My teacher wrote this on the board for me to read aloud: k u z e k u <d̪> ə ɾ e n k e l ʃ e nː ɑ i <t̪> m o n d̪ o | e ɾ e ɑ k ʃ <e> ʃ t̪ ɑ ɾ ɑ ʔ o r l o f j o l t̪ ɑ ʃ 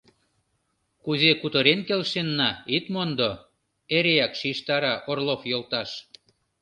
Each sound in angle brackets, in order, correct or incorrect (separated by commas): incorrect, correct, incorrect